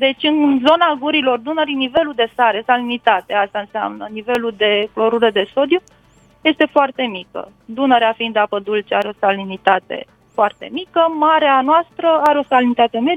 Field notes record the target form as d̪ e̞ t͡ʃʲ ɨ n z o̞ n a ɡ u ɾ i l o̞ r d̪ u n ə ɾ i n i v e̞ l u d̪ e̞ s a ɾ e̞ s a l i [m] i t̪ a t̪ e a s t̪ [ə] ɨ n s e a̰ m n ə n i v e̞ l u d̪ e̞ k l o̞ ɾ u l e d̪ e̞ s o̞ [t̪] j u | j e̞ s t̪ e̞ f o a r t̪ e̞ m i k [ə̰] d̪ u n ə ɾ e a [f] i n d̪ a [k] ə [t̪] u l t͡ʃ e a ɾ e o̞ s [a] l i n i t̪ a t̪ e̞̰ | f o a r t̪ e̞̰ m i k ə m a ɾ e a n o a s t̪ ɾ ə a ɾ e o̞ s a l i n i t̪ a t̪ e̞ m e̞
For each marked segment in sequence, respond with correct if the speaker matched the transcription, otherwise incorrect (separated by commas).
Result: incorrect, incorrect, incorrect, correct, correct, incorrect, incorrect, correct